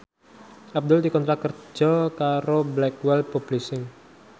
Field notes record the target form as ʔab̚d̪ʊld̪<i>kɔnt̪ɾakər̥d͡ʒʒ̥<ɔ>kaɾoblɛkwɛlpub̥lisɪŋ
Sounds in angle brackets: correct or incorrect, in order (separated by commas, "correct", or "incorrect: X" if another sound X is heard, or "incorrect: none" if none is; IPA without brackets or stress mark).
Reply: correct, correct